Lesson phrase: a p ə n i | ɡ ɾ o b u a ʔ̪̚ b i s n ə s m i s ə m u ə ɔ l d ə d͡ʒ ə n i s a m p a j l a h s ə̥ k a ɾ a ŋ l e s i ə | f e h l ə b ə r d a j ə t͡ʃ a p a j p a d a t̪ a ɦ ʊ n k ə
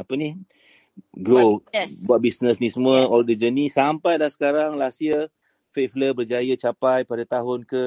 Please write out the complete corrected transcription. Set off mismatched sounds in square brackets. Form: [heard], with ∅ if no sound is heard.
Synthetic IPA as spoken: a p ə n i | ɡ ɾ o b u a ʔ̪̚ b i s n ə s [n] i s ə m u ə ɔ l d ə d͡ʒ ə n i s a m p a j l a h s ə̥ k a ɾ a ŋ l [a] s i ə | f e [f] l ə b ə r [d͡ʒ] a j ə t͡ʃ a p a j p a d a t̪ a ɦ ʊ n k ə